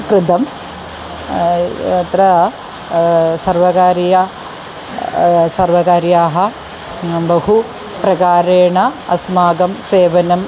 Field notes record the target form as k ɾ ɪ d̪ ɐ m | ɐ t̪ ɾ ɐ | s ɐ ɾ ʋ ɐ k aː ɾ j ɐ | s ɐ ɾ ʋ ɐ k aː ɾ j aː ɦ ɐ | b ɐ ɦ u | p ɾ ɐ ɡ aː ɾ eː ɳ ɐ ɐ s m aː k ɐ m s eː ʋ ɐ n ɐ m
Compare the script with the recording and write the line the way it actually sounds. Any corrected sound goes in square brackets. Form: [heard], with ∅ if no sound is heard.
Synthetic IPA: k ɾ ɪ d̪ ɐ m | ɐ t̪ ɾ ɐ | s ɐ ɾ ʋ ɐ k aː ɾ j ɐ | s ɐ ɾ ʋ ɐ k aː ɾ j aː ɦ ɐ | b ɐ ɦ u | p ɾ ɐ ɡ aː ɾ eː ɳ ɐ ɐ s m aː [ɡ] ɐ m s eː ʋ ɐ n ɐ m